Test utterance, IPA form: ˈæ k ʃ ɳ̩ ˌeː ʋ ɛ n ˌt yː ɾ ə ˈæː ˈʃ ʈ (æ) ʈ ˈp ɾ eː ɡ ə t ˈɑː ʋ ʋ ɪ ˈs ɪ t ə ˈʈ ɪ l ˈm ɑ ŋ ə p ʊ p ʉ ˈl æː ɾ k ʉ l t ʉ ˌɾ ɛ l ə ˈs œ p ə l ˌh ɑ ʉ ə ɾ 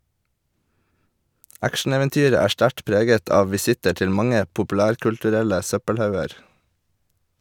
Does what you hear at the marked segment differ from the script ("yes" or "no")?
no